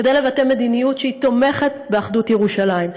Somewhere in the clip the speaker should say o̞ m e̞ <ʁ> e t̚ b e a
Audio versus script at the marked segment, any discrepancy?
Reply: yes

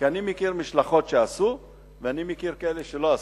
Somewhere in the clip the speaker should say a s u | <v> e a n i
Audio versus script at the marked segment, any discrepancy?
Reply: no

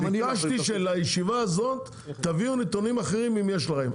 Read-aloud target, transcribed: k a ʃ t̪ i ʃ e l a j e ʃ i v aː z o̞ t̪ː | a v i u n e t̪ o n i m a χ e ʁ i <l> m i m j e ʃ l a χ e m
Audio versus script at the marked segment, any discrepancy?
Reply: yes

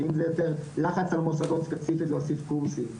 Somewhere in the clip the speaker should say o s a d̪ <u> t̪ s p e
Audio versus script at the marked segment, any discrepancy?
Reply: yes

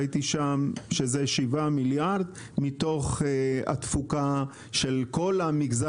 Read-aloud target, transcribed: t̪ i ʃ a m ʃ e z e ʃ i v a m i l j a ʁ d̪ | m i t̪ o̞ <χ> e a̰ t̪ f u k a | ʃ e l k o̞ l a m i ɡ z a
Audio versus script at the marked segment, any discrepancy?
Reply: no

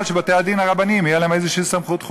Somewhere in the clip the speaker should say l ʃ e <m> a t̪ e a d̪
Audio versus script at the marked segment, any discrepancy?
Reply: yes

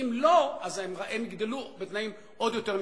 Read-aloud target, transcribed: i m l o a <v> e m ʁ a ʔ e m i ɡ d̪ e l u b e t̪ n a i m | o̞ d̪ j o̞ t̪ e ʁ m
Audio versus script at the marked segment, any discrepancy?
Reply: yes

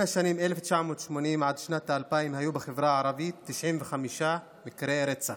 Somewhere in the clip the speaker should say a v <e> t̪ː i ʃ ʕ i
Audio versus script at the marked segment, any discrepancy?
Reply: yes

